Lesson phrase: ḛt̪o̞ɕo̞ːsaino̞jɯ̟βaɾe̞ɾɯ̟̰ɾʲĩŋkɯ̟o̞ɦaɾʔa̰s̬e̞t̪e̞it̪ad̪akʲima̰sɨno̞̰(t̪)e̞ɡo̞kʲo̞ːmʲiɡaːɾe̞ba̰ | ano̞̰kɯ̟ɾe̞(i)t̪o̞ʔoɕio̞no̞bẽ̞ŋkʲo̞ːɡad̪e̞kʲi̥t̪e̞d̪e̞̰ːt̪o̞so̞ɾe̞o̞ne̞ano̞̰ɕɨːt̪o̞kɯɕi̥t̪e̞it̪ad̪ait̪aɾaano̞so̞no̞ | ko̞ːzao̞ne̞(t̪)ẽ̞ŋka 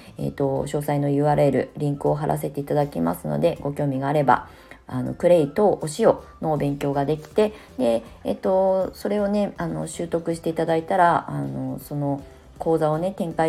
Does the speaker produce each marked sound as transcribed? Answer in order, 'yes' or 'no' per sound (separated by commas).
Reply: no, yes, yes